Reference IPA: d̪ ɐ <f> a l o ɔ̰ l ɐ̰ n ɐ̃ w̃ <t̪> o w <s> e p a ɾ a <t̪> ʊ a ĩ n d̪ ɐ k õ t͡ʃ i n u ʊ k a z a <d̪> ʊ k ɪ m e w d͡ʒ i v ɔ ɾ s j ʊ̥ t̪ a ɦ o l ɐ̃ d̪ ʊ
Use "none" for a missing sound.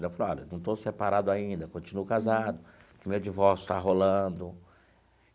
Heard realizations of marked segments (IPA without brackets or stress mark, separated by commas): f, t̪, s, d̪, d̪